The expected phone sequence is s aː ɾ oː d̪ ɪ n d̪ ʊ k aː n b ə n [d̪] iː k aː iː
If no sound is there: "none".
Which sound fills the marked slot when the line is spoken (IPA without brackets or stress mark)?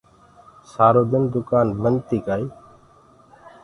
t̪